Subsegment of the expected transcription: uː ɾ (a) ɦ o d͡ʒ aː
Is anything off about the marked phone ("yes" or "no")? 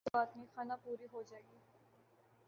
yes